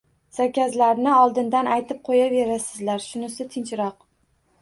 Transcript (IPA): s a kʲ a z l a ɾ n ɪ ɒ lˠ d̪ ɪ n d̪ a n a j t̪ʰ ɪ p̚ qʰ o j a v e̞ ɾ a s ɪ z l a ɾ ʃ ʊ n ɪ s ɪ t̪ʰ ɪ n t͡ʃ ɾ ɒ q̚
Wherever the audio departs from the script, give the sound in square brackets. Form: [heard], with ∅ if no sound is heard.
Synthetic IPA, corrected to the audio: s a kʲ a z l a ɾ n ɪ ɒ lˠ d̪ ɪ n d̪ a n a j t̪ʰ ɪ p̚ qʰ o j a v e̞ ɾ a s ɪ z l a ɾ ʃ ʊ n ɪ s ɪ t̪ʰ ɪ n t͡ʃ ɾ ɒ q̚